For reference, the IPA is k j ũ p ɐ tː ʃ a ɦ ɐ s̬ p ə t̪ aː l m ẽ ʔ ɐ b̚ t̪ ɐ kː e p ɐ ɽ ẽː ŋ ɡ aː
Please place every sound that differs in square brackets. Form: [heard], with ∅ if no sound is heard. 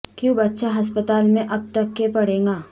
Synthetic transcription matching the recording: k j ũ [b] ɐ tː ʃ a ɦ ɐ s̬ p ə t̪ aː l m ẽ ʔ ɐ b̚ t̪ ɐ kː e p ɐ ɽ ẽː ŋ ɡ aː